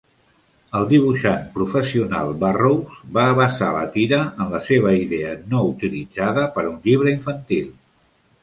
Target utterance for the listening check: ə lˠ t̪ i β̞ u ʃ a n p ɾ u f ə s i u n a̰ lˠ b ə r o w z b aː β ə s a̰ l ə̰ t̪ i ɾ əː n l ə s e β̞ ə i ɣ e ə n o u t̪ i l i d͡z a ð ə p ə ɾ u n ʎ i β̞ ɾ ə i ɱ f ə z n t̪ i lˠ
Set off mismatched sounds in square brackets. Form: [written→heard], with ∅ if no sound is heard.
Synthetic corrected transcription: ə lˠ [t̪→d̪] i β̞ u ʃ a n p ɾ u f ə s i u n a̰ lˠ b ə r o w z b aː β ə s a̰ l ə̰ t̪ i ɾ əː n l ə s e β̞ ə i [ɣ→ð] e ə n o u t̪ i l i d͡z a ð ə p ə ɾ u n ʎ i β̞ ɾ ə i ɱ f ə [z→∅] n t̪ i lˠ